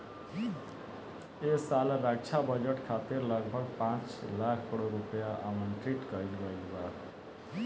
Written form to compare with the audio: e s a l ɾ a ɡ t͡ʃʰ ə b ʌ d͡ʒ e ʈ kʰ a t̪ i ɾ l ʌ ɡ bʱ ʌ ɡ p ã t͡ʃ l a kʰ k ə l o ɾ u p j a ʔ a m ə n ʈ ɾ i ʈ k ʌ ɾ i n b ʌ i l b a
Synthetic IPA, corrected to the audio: e s a l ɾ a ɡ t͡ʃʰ a b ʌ d͡ʒ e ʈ kʰ a t̪ i ɾ l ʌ ɡ bʱ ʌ ɡ p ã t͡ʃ l a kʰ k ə ɽ o ɾ u p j a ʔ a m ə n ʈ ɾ i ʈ k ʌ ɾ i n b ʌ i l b a